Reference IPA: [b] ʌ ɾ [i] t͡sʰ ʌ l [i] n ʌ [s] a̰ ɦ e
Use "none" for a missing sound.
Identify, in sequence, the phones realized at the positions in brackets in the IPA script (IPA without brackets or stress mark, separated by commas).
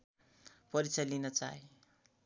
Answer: p, i, i, t͡s